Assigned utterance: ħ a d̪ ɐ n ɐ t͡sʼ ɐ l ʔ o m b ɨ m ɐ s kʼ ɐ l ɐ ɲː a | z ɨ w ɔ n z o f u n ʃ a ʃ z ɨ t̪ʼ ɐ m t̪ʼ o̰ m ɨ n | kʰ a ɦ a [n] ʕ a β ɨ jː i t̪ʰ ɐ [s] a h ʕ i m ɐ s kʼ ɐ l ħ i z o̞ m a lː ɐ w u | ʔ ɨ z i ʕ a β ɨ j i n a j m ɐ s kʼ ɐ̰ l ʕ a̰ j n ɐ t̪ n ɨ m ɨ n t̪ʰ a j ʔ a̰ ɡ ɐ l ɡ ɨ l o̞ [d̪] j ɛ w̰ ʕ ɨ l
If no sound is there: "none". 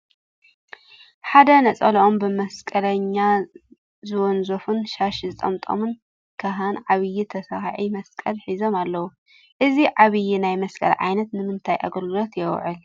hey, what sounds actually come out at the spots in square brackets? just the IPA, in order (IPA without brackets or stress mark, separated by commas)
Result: n, s, t̪